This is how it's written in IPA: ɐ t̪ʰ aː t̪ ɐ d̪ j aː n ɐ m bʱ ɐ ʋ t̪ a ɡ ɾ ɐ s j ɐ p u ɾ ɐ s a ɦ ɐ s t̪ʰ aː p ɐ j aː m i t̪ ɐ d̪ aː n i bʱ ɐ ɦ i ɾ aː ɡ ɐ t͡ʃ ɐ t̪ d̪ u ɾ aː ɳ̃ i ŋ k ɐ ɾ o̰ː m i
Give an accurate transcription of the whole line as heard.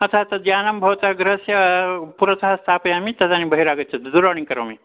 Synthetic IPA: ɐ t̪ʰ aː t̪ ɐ d̪ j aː n ɐ m bʱ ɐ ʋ t̪ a ɡ ɾ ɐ s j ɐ p u ɾ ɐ s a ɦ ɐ s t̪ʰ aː p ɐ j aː m i t̪ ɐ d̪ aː n i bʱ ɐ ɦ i ɾ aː ɡ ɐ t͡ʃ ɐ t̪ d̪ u ɾ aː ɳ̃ i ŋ k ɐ ɾ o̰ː m i